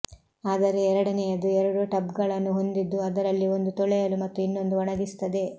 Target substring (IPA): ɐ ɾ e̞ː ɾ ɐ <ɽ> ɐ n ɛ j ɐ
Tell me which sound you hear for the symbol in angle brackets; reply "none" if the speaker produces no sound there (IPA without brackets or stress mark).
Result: ɽ